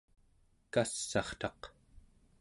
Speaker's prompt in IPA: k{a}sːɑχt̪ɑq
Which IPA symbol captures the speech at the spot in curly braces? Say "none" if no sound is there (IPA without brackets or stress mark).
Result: a